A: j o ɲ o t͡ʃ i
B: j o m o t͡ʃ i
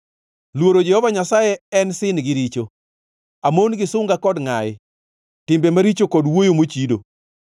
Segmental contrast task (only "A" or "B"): B